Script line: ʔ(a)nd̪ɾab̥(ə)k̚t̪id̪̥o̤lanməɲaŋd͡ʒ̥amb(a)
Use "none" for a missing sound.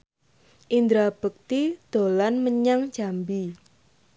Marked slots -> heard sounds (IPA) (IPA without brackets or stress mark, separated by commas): i, ə, i